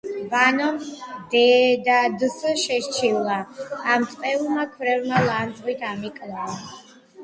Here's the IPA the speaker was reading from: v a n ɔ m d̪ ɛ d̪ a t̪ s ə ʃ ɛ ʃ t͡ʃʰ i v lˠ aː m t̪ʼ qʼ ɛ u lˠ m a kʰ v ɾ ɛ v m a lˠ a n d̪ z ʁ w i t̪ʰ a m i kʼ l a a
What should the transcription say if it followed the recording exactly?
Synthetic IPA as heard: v a n ɔ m d̪ ɛ d̪ a d̪ s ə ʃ ɛ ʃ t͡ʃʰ i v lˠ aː m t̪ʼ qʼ ɛ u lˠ m a kʰ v ɾ ɛ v m a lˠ a n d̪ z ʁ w i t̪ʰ a m i kʼ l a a